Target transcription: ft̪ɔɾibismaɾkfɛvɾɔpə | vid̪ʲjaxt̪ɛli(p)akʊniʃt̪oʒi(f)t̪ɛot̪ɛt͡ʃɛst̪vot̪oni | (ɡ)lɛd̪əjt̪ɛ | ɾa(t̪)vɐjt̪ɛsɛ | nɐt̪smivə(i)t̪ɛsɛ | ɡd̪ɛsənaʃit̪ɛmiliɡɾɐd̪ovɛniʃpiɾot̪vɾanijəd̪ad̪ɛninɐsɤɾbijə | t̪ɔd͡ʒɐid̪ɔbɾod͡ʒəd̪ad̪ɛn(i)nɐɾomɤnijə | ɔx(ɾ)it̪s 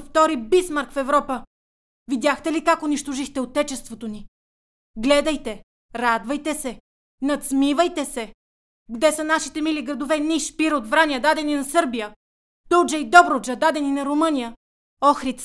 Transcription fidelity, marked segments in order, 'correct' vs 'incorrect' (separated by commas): incorrect, incorrect, correct, incorrect, incorrect, correct, correct